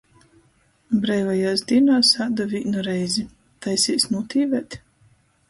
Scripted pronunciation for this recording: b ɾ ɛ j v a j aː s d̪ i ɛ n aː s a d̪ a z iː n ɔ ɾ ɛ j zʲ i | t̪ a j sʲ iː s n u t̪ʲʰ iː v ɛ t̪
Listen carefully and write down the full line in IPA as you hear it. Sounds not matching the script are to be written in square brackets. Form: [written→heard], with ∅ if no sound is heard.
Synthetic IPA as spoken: b ɾ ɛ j v a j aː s d̪ i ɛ n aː s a d̪ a [z→v] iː n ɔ ɾ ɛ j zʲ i | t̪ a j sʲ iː s n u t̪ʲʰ iː v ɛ t̪